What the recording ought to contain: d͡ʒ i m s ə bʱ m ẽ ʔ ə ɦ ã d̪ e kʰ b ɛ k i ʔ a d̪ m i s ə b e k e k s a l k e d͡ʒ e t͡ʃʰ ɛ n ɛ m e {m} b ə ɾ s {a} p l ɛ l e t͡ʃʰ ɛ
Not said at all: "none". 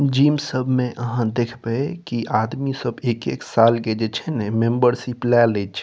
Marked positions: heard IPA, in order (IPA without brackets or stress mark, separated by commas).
m, i